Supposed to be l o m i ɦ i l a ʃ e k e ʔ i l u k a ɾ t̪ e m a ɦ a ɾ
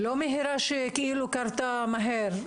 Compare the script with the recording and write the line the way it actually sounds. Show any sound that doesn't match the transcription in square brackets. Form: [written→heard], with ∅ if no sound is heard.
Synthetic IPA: l o m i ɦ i [l→ɾ] a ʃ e k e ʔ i l u k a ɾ t̪ [e→a] m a ɦ [a→e] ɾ